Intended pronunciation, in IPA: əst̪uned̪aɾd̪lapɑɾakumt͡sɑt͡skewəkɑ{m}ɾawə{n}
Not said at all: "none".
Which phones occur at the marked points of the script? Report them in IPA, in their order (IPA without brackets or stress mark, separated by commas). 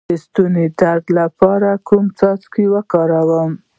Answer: none, m